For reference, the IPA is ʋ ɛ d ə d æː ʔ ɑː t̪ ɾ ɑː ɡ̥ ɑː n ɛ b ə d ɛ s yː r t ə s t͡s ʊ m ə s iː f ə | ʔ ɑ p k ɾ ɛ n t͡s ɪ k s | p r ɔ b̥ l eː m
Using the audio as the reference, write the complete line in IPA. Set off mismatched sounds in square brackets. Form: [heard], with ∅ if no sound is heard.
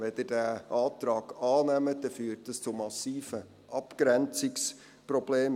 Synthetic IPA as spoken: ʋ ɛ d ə d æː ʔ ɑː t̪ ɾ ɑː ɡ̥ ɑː n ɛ [m] ə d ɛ [f] yː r t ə s t͡s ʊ m [ɑ] s iː f ə | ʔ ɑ p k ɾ ɛ n t͡s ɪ k s | p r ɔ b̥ l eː m